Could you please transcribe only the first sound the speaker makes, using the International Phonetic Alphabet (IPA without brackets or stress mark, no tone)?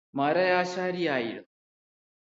m